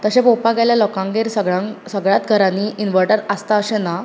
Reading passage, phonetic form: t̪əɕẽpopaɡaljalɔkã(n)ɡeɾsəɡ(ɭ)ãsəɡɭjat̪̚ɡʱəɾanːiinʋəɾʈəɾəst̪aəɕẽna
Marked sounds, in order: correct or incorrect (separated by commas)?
incorrect, correct